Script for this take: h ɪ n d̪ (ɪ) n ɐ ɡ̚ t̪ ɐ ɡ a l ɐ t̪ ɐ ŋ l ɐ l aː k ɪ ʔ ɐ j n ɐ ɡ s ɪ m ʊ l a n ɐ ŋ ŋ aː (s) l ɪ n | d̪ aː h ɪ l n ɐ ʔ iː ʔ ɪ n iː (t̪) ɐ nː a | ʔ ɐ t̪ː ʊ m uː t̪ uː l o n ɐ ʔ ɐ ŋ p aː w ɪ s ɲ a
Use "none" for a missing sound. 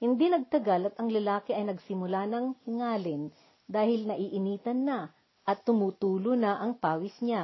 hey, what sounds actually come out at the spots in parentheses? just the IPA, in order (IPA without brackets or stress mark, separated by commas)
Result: i, none, t̪